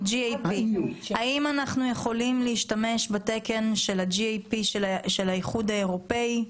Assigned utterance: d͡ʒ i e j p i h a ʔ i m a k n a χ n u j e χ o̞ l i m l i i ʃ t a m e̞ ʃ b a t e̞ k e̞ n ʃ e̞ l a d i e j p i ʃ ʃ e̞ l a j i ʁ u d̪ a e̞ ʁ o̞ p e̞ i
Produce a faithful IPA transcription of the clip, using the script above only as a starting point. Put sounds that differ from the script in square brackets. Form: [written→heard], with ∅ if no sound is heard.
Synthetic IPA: d͡ʒ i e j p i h a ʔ i m a [k→∅] n a χ n u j e χ o̞ l i m l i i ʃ t a m e̞ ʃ b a t e̞ k e̞ n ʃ e̞ l a [d→d͡ʒ] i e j p i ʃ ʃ e̞ l a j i [ʁ→χ] u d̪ a e̞ ʁ o̞ p e̞ i